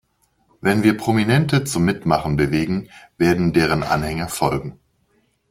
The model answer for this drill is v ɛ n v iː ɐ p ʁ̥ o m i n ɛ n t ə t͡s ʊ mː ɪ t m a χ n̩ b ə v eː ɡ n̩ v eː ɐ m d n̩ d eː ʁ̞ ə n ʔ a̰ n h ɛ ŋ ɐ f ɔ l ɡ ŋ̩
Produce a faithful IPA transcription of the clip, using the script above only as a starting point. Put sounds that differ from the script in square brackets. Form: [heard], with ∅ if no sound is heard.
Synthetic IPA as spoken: v ɛ n v iː ɐ p ʁ̥ o m i n ɛ n t ə t͡s ʊ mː ɪ t m a χ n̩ b ə v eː ɡ [ŋ̩] v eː ɐ [∅] d n̩ d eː ʁ̞ ə n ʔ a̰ n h ɛ ŋ ɐ f ɔ l ɡ ŋ̩